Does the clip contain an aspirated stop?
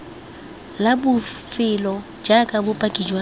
no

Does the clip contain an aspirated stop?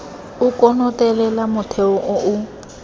yes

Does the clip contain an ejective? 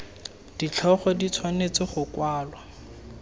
no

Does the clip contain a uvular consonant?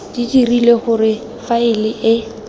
yes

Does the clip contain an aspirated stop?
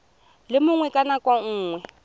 no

